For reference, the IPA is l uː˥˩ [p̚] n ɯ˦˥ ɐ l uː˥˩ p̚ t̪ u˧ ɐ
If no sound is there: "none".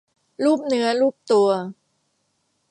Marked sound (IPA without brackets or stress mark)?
p̚